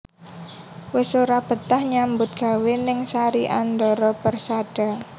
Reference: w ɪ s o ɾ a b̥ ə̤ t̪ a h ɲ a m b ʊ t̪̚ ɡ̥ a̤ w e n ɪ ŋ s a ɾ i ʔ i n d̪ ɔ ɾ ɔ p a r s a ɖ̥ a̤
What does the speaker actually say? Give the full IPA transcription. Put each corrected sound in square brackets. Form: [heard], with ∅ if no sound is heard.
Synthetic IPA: w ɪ s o ɾ a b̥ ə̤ t̪ a h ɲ a m b ʊ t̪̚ ɡ̥ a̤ w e n ɪ ŋ s a ɾ i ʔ [a] n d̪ ɔ ɾ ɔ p [ə] r s a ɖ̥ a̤